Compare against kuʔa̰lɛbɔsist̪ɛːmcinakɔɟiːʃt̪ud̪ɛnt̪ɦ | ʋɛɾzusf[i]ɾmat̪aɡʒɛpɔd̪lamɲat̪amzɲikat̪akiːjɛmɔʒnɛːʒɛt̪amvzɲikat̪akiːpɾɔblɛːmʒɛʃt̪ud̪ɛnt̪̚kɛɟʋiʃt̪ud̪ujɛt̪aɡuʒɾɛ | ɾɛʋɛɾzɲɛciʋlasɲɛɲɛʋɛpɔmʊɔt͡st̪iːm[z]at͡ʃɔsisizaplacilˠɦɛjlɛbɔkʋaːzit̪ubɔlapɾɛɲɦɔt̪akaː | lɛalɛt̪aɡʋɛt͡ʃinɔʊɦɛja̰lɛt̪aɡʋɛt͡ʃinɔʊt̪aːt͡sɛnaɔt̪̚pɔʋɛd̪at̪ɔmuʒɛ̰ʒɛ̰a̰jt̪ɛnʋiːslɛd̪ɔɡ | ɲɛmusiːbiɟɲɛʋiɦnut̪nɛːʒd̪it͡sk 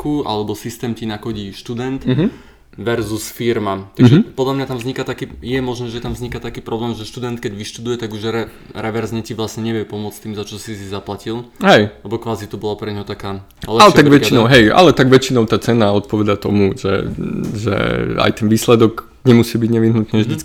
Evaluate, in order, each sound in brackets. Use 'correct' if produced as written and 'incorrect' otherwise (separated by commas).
correct, correct